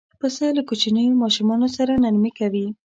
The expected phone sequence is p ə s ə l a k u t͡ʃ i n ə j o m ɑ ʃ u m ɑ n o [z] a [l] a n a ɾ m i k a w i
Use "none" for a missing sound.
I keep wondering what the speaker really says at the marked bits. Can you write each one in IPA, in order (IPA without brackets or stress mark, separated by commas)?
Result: s, ɾ